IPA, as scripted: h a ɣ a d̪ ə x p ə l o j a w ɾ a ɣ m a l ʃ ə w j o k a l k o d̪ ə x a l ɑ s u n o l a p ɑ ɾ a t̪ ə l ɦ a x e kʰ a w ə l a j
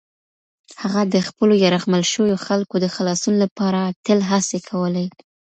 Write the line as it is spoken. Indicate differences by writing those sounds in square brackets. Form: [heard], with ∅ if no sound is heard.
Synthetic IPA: h a ɣ a d̪ ə x p ə l o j a [∅] ɾ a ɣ m a l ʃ ə w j o [x] a l k o d̪ ə x a l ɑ s u n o l a p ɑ ɾ a t̪ ə l ɦ a [s] e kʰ a w ə l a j